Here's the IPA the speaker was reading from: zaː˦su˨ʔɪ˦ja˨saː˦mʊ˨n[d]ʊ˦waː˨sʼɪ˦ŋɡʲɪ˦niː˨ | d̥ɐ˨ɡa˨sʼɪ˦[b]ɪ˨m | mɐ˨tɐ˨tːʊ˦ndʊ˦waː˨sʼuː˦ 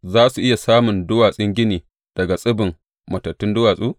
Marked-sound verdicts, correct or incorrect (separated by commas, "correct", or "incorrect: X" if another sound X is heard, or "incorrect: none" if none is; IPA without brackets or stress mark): correct, correct